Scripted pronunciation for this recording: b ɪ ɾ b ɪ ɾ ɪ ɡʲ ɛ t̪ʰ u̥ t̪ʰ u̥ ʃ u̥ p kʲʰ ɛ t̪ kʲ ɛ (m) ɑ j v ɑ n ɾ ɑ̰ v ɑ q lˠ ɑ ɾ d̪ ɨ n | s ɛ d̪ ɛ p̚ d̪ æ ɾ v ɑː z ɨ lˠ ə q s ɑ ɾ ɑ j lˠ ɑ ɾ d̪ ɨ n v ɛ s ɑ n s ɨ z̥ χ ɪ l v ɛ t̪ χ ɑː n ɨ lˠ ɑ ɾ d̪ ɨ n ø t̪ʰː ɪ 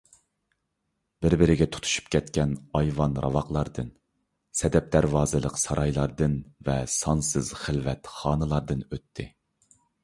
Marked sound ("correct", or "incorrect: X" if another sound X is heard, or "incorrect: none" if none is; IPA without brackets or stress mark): incorrect: n